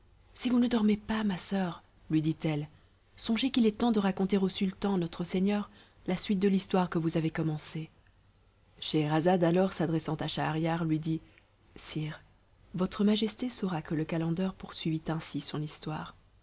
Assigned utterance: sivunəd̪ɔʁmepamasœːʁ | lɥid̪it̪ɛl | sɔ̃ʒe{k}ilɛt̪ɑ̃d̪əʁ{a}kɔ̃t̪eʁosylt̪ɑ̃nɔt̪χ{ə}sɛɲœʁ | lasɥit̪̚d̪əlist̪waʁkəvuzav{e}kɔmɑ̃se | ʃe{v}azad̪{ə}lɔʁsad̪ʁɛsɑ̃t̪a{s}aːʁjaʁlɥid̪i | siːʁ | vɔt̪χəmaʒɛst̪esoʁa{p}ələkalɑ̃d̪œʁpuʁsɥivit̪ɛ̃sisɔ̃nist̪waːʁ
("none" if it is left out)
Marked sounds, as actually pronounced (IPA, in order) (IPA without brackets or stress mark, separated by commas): k, a, ə, e, ʁ, a, ʃ, k